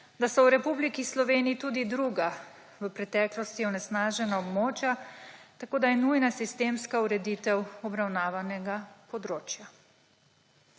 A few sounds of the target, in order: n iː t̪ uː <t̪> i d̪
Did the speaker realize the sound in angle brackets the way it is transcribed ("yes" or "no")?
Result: no